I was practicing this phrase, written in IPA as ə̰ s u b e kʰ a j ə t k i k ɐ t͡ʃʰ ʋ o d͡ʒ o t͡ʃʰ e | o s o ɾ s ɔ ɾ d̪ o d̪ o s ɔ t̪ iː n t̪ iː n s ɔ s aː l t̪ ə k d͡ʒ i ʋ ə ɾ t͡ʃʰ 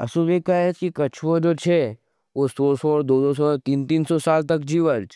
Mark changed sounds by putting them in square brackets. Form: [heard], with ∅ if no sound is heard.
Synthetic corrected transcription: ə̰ s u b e [k] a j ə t k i k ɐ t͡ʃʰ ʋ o d͡ʒ o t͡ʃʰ e | o s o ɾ s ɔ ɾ d̪ o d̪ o s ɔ t̪ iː n t̪ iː n s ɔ s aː l t̪ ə k d͡ʒ i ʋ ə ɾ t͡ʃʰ